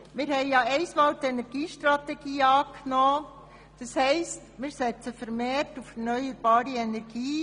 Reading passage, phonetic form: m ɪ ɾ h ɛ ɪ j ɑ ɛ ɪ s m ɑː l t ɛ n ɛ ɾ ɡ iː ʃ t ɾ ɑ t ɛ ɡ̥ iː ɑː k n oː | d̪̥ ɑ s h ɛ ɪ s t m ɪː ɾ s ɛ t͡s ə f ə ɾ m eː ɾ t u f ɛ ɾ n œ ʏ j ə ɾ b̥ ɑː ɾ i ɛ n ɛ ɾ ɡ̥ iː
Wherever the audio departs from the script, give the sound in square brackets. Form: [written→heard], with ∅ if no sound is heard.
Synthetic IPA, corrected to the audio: m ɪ ɾ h ɛ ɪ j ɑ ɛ ɪ s m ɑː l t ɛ n ɛ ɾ ɡ iː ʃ t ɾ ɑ t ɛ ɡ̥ iː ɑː k n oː | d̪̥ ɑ s h ɛ ɪ s t m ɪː ɾ s ɛ t͡s ə f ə ɾ m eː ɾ t u f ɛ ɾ n œ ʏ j ə ɾ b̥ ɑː ɾ i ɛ n ɛ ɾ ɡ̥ iː